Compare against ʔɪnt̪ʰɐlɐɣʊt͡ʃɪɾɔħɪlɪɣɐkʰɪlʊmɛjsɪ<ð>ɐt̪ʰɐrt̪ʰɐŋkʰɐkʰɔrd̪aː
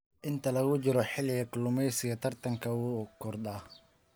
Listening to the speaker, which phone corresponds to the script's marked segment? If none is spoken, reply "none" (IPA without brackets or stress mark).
ɣ